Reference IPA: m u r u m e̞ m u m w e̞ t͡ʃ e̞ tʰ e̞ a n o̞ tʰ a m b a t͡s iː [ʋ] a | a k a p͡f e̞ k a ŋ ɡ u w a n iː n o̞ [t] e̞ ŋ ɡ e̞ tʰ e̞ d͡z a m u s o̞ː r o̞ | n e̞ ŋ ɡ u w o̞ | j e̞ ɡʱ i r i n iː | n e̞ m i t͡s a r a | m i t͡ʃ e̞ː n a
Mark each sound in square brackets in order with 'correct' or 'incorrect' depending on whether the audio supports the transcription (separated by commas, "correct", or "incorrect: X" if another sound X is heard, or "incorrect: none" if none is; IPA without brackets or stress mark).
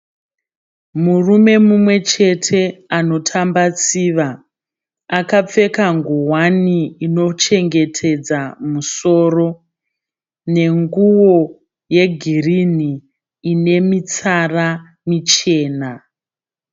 correct, incorrect: t͡ʃ